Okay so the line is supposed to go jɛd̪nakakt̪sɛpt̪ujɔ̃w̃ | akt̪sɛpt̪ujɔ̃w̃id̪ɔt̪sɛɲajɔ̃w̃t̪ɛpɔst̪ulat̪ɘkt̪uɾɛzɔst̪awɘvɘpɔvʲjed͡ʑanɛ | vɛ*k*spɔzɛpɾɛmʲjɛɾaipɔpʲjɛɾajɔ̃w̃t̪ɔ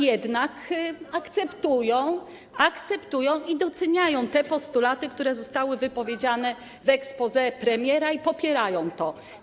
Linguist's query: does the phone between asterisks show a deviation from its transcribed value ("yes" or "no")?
no